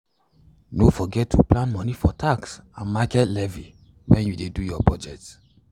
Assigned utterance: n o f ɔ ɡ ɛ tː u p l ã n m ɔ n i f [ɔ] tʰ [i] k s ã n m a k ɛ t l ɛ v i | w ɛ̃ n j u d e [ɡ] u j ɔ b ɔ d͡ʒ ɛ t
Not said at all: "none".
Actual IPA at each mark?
ɔ, a, d

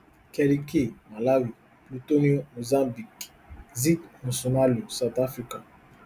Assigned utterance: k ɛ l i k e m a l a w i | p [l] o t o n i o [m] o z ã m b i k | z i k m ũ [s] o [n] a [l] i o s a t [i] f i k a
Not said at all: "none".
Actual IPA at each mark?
l, m, s, n, l, a

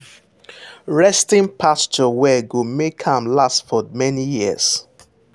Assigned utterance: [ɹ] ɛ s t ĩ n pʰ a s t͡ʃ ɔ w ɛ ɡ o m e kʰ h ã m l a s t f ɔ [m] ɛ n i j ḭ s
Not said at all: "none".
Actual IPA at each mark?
ɹ, m

